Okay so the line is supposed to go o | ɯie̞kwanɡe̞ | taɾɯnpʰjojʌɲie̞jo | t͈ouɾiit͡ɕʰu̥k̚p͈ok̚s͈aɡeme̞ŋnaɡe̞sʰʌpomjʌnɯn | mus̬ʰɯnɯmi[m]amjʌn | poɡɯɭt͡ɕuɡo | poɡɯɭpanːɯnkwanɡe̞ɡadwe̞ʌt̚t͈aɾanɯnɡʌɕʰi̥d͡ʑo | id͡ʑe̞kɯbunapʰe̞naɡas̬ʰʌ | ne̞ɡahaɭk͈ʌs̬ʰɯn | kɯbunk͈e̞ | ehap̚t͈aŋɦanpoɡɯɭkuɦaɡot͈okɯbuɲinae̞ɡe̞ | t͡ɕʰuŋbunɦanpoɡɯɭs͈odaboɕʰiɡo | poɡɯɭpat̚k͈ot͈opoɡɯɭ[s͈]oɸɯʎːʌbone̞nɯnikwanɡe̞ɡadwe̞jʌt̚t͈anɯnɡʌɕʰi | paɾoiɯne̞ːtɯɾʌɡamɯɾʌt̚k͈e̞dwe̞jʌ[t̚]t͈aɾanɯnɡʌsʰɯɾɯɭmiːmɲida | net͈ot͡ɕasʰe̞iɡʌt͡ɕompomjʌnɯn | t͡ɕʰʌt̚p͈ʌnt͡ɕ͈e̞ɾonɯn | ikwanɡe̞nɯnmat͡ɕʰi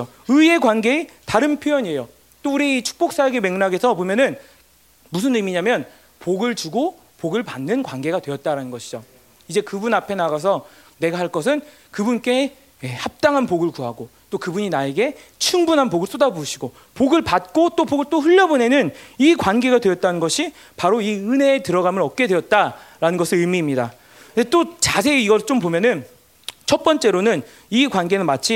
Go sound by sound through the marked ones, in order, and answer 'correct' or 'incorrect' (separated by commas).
incorrect, incorrect, correct